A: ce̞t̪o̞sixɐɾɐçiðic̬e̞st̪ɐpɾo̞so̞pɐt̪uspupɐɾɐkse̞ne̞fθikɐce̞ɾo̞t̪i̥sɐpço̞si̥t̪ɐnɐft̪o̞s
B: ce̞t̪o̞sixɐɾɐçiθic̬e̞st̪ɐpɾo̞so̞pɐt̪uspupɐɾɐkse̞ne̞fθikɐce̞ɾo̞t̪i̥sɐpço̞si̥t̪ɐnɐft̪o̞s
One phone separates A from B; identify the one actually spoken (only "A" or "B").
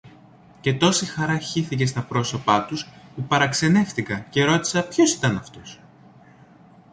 B